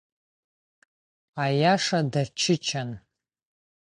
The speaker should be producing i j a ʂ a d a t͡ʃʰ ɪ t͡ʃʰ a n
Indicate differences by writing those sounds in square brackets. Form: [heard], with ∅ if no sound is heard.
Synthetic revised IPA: [a] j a ʂ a d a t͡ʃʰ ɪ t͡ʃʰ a n